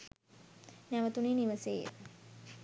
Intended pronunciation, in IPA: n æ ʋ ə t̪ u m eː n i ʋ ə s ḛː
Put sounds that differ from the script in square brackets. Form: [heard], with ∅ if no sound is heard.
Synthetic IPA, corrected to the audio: n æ ʋ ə t̪ u [n] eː n i ʋ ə s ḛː